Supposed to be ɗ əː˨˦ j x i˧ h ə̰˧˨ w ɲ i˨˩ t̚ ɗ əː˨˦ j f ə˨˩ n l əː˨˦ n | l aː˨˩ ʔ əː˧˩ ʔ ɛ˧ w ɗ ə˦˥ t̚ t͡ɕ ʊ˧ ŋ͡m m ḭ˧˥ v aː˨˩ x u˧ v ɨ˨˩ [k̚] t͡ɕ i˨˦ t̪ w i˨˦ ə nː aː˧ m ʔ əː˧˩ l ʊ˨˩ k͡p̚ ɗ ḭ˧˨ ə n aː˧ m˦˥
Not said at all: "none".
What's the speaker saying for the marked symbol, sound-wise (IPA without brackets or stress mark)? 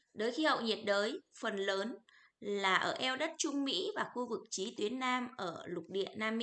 k̚